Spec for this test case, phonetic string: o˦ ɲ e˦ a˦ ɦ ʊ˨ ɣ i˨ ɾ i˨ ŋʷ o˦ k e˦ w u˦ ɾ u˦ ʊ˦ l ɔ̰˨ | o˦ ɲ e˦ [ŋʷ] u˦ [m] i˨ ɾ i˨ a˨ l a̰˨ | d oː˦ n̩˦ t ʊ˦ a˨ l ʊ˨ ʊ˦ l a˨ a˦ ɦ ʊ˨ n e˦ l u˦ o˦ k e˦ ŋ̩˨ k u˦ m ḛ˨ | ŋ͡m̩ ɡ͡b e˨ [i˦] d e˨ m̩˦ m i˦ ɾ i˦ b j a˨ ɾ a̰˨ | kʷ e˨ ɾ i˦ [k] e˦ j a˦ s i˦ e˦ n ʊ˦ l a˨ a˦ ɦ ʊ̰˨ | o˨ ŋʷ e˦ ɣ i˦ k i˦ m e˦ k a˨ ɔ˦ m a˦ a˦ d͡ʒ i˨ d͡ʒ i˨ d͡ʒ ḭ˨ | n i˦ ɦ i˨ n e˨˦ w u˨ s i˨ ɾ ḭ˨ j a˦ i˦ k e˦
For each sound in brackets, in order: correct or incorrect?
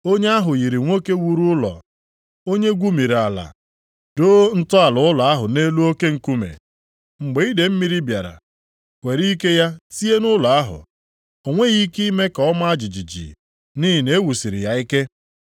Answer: incorrect: ɡʷ, correct, correct, correct

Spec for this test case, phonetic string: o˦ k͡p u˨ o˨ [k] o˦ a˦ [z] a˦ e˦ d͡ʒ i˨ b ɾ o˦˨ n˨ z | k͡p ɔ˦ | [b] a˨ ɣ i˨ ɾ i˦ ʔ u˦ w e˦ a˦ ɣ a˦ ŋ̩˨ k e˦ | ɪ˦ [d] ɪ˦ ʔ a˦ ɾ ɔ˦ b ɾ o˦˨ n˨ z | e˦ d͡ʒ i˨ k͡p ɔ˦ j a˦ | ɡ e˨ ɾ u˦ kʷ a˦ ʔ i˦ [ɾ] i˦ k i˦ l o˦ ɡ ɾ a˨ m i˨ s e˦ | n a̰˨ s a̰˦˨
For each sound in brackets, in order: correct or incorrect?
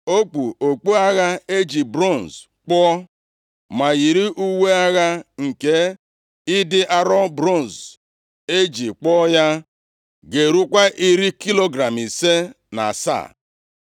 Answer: incorrect: k͡p, incorrect: ɣ, incorrect: m, correct, correct

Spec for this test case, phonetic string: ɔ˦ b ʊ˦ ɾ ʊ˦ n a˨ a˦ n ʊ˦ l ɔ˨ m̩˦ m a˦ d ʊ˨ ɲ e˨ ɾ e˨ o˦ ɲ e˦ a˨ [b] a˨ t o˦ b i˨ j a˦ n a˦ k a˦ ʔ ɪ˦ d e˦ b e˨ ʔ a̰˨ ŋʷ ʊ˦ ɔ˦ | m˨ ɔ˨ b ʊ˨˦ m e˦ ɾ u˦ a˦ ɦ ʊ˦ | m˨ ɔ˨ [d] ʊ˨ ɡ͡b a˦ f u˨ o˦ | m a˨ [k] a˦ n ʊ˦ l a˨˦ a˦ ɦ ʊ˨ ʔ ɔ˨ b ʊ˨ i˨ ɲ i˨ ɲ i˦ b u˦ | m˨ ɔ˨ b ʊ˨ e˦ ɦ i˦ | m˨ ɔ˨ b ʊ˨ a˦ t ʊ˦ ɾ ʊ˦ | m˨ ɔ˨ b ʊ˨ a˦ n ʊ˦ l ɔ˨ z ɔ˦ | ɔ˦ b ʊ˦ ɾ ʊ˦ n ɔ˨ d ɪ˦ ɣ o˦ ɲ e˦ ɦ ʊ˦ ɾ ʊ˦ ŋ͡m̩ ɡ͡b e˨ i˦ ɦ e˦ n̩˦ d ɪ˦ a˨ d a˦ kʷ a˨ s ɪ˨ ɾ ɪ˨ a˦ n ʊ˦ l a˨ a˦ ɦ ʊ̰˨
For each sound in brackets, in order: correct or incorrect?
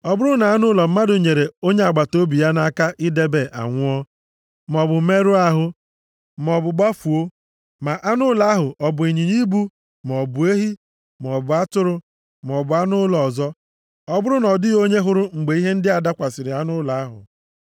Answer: incorrect: ɡ͡b, incorrect: b, incorrect: ʔ

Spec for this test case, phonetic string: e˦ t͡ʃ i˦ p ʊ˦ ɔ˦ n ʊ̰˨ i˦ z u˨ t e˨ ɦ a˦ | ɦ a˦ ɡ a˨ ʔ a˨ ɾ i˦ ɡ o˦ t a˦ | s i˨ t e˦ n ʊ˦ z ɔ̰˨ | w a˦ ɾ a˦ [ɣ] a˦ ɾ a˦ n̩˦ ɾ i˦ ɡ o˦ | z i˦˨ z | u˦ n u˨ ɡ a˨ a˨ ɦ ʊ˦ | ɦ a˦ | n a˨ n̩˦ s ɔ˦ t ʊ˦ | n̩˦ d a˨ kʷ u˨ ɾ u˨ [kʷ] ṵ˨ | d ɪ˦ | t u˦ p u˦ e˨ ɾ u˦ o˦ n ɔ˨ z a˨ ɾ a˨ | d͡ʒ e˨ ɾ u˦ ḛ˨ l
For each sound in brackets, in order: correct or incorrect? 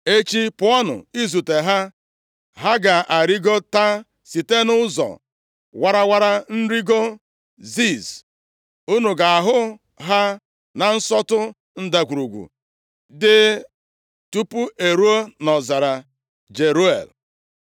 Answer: incorrect: w, incorrect: ɡʷ

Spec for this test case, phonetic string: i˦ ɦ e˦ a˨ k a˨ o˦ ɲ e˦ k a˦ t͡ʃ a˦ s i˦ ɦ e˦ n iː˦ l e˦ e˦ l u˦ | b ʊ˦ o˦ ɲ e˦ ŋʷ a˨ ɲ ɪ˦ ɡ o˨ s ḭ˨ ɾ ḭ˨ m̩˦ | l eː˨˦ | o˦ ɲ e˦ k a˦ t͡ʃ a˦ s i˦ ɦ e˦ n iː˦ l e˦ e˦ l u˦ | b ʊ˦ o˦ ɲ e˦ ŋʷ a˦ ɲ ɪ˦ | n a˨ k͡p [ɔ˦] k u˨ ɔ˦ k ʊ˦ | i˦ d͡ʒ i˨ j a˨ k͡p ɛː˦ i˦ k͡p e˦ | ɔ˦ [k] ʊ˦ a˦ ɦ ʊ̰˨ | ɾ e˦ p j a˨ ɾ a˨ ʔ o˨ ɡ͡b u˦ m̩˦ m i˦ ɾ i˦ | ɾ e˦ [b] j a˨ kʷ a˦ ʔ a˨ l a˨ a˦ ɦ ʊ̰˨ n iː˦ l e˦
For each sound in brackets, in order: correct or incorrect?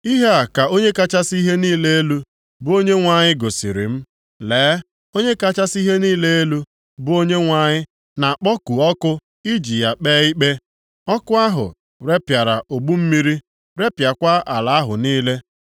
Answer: correct, correct, incorrect: p

